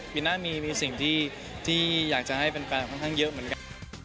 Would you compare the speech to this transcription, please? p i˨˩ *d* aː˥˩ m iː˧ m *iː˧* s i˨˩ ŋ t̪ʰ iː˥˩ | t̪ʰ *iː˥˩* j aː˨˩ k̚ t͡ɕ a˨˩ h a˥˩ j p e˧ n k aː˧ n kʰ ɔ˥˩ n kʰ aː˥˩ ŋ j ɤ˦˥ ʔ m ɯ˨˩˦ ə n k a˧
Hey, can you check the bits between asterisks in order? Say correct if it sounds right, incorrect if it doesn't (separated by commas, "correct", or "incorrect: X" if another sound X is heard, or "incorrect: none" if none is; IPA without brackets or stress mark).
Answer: incorrect: n, correct, correct